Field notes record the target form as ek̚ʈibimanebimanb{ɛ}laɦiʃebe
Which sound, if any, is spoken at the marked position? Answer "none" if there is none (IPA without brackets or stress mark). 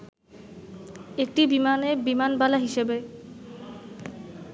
a